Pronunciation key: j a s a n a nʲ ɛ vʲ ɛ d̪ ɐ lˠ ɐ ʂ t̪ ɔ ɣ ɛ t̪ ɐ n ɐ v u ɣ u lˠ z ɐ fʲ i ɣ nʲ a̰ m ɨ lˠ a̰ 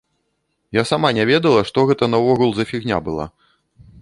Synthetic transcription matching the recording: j a s a m a nʲ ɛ vʲ ɛ d̪ ɐ lˠ ɐ ʂ t̪ ɔ ɣ ɛ t̪ ɐ n ɐ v ɔ ɣ u lˠ z ɐ fʲ i ɣ nʲ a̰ b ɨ lˠ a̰